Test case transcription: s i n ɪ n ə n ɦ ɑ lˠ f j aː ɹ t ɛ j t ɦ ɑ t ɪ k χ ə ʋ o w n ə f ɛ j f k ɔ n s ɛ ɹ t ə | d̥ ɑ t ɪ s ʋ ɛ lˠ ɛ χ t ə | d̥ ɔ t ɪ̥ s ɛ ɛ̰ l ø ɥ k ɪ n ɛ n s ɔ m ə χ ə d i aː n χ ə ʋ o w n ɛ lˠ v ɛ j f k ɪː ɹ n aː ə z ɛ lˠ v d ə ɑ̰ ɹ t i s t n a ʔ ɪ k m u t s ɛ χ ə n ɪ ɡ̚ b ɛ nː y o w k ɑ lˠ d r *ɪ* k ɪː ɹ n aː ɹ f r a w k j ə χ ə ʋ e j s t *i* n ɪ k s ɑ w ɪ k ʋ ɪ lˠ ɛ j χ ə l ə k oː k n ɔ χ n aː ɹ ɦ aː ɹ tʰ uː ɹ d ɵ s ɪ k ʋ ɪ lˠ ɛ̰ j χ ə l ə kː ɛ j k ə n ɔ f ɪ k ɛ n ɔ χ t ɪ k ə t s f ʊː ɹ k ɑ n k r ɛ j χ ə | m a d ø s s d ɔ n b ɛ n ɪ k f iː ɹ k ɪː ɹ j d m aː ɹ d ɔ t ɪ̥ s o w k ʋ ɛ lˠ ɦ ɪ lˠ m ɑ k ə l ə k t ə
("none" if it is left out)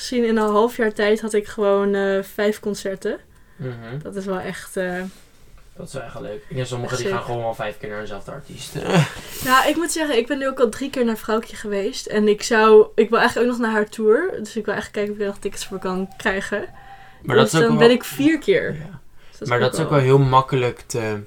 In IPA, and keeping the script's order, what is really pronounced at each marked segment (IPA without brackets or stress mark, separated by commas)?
i, ɛ